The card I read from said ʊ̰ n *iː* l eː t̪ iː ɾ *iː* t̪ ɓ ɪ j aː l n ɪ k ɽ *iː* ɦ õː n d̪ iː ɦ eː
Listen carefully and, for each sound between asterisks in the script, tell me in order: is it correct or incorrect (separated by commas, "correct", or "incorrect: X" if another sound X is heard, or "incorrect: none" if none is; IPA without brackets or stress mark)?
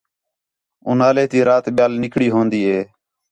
incorrect: aː, incorrect: aː, correct